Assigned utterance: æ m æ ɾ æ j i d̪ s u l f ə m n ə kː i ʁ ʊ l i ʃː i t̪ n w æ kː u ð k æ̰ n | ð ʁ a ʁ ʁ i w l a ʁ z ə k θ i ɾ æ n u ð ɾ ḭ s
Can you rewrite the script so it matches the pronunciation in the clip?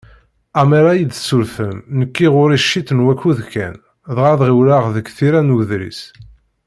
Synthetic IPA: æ m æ ɾ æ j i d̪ s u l f ə m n ə kː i ʁ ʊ ɾ i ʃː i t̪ n w æ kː u ð k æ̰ n | ð ʁ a ð ʁ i w l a ʁ ð ə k θ i ɾ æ n u ð ɾ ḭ s